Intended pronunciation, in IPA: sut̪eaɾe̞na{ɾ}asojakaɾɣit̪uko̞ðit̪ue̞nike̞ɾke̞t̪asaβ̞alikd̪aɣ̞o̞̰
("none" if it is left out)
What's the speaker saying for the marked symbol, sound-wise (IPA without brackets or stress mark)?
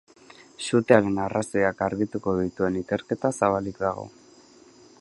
r